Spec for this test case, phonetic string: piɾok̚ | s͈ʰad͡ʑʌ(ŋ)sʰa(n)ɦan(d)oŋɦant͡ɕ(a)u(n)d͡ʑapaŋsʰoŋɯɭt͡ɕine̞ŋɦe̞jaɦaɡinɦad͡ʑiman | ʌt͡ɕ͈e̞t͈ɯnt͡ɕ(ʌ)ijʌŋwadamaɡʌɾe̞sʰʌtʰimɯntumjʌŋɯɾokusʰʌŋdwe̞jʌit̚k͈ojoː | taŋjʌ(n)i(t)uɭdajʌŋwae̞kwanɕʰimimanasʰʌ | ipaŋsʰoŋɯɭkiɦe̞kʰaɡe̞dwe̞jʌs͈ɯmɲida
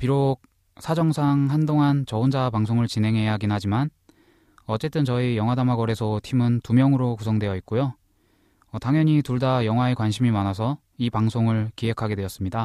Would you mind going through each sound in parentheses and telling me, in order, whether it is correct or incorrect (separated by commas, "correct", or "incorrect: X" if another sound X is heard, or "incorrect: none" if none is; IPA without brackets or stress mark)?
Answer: correct, incorrect: ŋ, correct, incorrect: ʌ, correct, correct, incorrect: ɲ, correct